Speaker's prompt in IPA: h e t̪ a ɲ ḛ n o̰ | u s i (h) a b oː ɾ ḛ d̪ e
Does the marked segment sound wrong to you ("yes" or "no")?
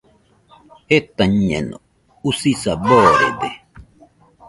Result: yes